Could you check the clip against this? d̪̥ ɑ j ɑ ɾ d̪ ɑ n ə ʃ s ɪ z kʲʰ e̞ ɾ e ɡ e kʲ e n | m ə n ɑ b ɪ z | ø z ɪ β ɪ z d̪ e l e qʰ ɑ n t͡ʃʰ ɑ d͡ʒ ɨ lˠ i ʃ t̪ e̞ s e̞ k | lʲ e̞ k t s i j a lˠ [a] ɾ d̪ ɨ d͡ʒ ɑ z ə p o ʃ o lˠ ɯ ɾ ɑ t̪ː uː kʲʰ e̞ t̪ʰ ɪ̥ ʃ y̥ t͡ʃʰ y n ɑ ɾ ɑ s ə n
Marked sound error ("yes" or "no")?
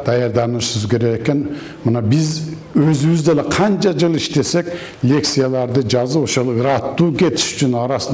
yes